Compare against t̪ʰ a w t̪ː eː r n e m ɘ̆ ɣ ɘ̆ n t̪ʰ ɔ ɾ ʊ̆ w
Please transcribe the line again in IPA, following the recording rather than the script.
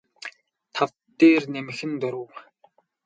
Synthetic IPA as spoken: t̪ʰ a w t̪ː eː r n e m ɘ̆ x ɘ̆ n t̪ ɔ ɾ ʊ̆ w